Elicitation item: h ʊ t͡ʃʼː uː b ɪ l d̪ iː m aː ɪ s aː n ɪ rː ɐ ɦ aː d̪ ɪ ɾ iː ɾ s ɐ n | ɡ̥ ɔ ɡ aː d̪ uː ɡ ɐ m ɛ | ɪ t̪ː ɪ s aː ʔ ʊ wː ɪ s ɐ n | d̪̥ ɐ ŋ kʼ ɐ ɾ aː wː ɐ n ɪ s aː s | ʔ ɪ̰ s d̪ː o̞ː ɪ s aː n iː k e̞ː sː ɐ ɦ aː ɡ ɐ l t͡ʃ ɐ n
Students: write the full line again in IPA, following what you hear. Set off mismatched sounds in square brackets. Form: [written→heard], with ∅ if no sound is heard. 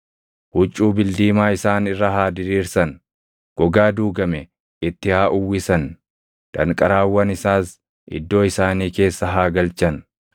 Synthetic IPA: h ʊ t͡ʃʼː uː b ɪ l d̪ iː m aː ɪ s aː n ɪ rː ɐ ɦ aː d̪ ɪ ɾ iː ɾ s ɐ n | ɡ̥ ɔ ɡ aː d̪ uː ɡ ɐ m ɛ | ɪ t̪ː ɪ [s→h] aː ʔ ʊ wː ɪ s ɐ n | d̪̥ ɐ ŋ kʼ ɐ ɾ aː wː ɐ n ɪ s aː s | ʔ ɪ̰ [s→∅] d̪ː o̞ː ɪ s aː n iː k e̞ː sː ɐ ɦ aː ɡ ɐ l t͡ʃ ɐ n